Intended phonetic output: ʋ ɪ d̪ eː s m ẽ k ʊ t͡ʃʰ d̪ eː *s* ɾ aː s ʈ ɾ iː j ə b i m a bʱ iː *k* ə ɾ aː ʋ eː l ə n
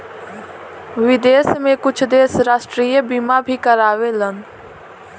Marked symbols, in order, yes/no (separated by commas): yes, yes